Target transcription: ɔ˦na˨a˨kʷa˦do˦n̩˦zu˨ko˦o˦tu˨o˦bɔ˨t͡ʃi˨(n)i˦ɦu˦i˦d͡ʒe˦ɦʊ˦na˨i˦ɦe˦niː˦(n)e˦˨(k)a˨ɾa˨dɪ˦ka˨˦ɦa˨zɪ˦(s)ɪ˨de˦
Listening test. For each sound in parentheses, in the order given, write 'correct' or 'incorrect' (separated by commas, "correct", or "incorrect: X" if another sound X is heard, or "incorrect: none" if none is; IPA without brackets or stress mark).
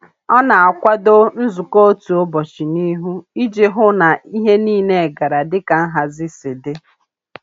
correct, correct, incorrect: ɡ, correct